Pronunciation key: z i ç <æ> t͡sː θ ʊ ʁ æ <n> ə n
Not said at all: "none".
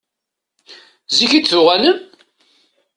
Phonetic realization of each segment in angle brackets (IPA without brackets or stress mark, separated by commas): i, n